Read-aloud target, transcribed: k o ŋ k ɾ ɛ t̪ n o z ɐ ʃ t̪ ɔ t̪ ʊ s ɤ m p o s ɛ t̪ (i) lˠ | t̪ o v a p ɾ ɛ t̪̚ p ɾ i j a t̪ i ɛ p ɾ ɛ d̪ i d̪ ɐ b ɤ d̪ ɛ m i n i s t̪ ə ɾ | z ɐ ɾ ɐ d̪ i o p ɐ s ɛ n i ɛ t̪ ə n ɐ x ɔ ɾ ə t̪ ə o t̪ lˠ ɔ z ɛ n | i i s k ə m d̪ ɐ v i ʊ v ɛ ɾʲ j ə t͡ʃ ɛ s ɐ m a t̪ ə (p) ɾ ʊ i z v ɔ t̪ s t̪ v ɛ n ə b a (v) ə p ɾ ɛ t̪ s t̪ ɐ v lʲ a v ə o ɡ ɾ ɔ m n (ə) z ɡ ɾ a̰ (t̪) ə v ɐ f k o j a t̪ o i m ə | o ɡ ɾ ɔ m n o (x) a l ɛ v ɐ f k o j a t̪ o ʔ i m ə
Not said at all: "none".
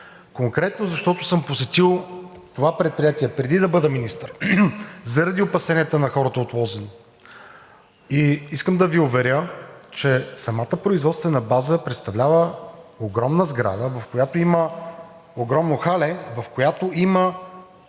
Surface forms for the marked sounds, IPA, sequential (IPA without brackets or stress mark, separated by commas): i, p, z, ə, d̪, x